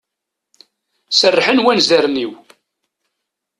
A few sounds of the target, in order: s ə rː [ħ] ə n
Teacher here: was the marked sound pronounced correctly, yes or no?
yes